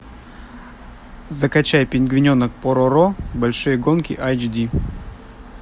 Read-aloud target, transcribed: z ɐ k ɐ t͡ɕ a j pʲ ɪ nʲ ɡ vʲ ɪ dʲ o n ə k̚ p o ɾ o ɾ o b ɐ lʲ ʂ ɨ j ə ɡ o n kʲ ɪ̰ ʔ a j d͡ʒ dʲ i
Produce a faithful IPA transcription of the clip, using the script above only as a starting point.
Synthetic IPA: z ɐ k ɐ t͡ɕ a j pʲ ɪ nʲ ɡ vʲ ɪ nʲ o n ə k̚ p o ɾ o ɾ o b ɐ lʲ ʂ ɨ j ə ɡ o n kʲ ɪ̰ ʔ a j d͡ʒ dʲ i